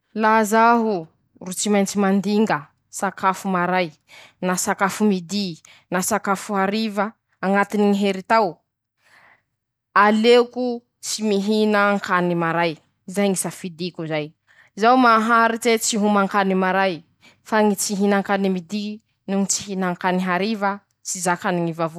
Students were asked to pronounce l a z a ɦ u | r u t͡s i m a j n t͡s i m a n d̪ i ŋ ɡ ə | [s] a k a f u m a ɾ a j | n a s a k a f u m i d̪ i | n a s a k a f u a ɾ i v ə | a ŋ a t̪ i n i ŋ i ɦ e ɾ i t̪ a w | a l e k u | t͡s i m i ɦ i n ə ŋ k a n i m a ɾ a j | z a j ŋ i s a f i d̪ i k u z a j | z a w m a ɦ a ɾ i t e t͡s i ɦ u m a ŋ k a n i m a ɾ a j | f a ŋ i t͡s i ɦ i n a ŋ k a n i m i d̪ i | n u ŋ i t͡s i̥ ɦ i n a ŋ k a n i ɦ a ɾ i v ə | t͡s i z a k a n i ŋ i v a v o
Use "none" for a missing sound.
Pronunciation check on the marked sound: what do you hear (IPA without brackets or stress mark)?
s